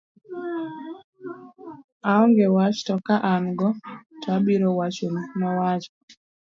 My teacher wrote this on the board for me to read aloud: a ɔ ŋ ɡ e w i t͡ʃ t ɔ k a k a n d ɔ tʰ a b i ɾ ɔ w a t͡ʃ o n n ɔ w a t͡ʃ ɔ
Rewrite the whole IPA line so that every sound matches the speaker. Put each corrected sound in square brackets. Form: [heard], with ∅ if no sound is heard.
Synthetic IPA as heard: a ɔ ŋ ɡ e w [a] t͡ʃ t ɔ k a [ʔ] a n [ɡ] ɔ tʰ a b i ɾ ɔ w a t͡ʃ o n n ɔ w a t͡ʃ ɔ